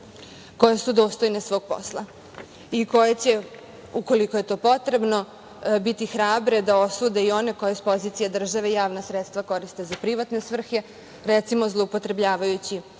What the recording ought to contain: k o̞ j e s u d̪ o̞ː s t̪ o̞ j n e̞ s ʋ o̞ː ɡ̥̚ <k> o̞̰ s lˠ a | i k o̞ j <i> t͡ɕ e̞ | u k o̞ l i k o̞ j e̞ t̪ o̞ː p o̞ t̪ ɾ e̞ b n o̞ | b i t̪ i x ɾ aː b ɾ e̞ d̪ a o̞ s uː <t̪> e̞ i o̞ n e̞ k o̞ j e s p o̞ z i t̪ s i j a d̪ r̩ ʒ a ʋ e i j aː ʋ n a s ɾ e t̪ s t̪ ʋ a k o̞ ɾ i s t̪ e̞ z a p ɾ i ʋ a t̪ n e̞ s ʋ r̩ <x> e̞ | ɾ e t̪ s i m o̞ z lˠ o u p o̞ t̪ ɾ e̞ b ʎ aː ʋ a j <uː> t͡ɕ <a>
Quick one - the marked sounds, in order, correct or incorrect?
incorrect: p, incorrect: e, incorrect: d̪, correct, incorrect: u, incorrect: i

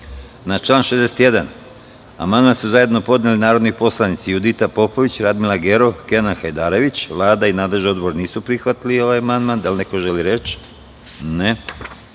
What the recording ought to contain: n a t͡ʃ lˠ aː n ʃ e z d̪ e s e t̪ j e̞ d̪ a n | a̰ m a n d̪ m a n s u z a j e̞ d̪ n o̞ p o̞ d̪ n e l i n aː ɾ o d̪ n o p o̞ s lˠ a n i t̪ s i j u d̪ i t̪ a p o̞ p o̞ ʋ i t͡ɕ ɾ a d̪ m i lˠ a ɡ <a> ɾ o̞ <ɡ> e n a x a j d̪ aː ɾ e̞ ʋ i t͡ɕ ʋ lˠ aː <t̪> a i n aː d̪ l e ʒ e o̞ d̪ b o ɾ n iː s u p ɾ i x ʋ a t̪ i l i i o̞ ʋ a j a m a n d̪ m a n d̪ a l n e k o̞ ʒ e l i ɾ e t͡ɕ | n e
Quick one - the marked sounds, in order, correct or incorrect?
incorrect: e, incorrect: k, incorrect: d̪

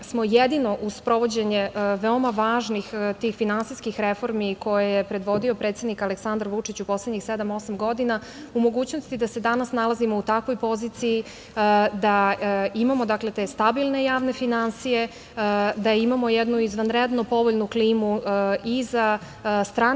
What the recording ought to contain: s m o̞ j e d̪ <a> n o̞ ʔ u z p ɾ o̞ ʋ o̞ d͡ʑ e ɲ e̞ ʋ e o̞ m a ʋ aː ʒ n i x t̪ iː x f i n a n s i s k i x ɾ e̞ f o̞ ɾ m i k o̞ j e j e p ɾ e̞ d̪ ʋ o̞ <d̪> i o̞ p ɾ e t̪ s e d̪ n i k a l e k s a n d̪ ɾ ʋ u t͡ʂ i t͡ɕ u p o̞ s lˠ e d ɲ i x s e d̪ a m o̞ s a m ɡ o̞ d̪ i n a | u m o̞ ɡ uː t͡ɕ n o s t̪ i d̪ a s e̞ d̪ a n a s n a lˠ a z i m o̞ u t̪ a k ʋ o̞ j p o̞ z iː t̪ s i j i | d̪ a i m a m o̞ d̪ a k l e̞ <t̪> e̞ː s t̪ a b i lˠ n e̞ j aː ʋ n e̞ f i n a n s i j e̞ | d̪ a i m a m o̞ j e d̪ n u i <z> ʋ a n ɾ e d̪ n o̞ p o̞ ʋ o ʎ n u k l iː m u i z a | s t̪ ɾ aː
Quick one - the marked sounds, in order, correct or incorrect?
incorrect: i, correct, correct, correct

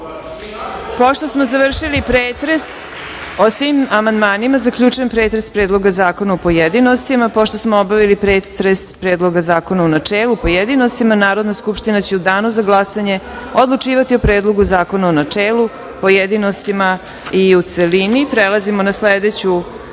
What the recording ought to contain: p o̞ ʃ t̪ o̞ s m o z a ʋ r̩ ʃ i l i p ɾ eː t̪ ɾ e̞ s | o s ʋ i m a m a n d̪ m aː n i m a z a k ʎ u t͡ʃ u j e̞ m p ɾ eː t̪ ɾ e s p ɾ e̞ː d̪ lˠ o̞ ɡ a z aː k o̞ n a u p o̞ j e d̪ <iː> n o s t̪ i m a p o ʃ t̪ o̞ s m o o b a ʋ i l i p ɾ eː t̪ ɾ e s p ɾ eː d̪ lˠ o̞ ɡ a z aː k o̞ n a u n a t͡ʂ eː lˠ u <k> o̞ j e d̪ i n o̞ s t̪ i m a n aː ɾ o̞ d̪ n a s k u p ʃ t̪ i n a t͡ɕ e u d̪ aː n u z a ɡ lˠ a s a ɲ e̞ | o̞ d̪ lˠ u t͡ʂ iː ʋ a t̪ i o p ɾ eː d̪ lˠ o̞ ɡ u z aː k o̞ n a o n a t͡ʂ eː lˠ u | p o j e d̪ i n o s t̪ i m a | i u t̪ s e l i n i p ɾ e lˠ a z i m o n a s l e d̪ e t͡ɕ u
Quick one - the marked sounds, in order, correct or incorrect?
incorrect: i, incorrect: p

